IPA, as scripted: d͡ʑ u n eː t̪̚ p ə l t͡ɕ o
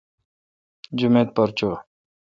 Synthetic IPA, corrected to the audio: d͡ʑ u m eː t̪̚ p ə ɾ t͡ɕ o